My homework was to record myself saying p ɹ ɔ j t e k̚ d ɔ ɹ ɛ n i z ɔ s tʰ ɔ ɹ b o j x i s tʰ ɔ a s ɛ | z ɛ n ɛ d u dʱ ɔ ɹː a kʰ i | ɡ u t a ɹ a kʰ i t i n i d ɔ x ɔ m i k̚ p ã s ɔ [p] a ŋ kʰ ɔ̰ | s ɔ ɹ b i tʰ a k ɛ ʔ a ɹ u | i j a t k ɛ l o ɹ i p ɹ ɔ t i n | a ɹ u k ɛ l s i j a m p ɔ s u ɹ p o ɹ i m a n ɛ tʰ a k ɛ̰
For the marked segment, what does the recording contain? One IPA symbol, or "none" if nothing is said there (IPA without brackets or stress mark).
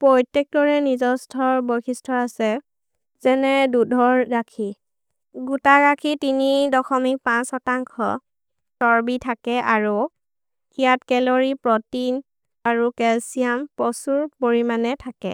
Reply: t